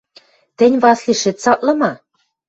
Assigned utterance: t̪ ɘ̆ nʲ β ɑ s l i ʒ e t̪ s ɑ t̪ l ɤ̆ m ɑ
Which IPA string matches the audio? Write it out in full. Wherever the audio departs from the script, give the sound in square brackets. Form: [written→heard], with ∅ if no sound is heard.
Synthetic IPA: t̪ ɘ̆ nʲ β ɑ s l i [ʒ→ʃ] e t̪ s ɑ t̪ l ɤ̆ m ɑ